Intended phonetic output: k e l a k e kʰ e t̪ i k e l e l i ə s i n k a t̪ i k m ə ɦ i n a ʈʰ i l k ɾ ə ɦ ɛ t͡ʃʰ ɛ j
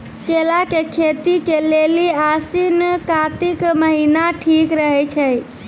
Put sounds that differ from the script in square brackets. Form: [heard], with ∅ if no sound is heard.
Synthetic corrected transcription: k e l a k e kʰ e t̪ i k e l e l i [a] s i n k a t̪ i k m ə ɦ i n a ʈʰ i [∅] k ɾ ə ɦ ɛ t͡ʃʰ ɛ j